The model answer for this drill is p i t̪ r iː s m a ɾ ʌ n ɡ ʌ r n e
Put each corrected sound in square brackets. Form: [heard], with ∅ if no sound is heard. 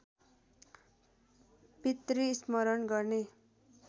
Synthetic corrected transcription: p i t̪ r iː s m [ʌ] ɾ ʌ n ɡ ʌ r n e